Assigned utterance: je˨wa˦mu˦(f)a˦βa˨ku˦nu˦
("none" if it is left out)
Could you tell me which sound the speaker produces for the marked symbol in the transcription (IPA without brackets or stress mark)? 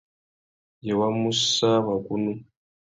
s